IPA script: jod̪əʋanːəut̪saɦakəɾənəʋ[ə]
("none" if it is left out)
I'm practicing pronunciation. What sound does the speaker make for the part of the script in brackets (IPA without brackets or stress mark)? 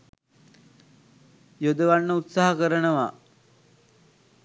a